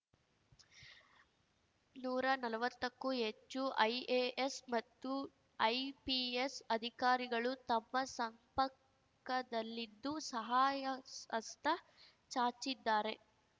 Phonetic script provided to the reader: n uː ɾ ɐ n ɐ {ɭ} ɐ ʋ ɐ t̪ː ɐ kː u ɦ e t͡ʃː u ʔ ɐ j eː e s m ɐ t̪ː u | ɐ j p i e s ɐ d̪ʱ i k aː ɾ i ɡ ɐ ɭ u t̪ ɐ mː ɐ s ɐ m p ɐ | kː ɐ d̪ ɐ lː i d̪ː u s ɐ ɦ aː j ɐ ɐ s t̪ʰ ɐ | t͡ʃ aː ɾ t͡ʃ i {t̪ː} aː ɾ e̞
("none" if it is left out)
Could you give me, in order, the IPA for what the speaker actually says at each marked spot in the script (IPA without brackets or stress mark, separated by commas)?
l, d̪ː